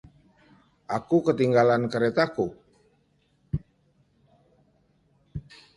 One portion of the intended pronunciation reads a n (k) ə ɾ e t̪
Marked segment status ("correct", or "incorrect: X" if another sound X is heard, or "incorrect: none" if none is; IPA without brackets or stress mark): correct